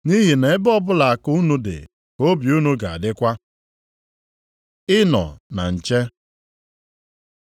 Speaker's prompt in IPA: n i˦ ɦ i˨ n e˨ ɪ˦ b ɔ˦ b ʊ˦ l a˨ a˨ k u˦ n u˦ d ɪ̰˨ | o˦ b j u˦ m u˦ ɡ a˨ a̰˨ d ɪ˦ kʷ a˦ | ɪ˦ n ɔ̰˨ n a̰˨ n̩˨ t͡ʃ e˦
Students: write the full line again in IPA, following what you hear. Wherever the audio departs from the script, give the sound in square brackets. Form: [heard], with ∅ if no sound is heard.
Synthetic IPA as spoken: n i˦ ɦ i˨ n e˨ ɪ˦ b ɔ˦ b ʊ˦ l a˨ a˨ k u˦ n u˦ d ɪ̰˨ | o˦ b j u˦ [n] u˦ ɡ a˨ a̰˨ d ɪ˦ kʷ a˦ | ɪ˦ n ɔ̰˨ n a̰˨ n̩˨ t͡ʃ e˦